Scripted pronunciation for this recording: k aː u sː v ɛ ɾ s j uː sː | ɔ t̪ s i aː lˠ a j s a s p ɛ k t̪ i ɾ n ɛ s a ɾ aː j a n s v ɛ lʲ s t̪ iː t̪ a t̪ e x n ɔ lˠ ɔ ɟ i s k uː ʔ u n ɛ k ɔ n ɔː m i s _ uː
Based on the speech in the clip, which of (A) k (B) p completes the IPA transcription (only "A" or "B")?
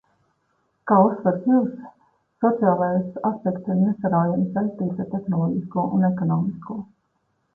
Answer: A